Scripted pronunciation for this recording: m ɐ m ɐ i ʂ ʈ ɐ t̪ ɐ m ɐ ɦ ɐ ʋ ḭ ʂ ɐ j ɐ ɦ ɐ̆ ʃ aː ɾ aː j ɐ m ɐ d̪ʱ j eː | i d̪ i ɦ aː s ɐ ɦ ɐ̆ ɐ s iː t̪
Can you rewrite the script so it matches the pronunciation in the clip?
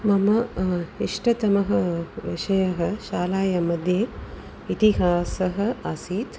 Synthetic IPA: m ɐ m ɐ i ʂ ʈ ɐ t̪ ɐ m ɐ ɦ ɐ ʋ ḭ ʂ ɐ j ɐ ɦ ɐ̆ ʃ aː l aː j ɐ m ɐ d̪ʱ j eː | i t̪ i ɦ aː s ɐ ɦ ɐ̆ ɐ s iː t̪